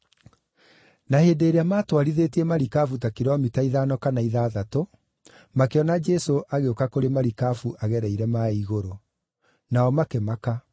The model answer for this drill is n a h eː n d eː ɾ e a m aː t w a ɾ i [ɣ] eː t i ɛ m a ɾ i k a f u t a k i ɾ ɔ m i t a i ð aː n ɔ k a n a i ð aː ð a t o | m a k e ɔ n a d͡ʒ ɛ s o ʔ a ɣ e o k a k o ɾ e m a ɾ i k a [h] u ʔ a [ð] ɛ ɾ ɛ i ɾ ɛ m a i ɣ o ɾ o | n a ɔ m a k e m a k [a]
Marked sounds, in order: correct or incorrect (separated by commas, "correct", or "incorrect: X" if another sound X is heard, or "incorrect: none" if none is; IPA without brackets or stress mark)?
incorrect: ð, incorrect: f, incorrect: ɣ, correct